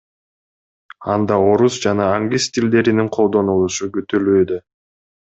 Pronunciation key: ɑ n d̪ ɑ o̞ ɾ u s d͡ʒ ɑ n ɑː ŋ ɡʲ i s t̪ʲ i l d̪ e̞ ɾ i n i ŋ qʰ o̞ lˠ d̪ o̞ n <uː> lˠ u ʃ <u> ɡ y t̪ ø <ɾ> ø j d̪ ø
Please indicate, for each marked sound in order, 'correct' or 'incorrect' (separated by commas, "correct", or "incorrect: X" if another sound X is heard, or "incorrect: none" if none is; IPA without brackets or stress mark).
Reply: incorrect: u, correct, incorrect: l